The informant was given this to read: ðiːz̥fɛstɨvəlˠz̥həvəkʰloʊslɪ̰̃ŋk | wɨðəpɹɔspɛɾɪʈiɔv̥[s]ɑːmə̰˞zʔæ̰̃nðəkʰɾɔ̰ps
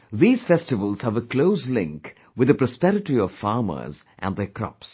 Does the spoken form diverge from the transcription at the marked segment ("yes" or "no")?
yes